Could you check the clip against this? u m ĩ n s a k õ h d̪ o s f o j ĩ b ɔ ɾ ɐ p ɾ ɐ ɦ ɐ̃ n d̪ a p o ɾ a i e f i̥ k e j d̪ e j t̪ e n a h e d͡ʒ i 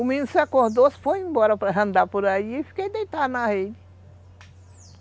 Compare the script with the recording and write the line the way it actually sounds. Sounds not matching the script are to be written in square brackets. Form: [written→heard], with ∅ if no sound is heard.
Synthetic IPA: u m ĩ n s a k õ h d̪ o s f o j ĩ b ɔ ɾ ɐ p ɾ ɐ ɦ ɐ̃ n d̪ a p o ɾ a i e f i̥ k e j d̪ e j t̪ [e→a] n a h e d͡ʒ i